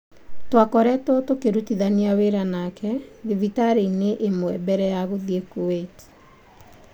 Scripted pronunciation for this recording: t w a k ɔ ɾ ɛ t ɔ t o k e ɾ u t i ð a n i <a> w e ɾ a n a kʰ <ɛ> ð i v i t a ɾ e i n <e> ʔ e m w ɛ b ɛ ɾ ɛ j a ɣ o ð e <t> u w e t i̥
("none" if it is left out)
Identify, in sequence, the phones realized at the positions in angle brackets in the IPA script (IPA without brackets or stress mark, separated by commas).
a, ɛ, e, k